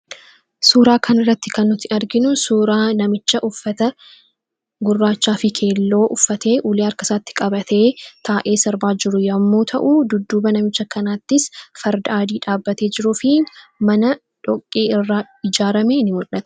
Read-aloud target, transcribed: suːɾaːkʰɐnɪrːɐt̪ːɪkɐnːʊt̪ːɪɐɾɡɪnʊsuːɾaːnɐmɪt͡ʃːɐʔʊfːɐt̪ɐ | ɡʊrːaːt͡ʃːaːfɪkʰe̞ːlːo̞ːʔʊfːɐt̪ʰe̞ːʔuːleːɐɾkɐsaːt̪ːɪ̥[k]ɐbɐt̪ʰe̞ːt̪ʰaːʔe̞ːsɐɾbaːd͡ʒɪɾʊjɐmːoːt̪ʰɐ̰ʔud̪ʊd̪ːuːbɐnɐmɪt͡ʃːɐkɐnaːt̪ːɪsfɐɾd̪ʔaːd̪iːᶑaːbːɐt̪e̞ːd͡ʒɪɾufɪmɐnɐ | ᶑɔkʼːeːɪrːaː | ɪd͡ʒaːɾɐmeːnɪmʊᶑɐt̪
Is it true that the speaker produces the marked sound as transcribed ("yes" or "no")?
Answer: no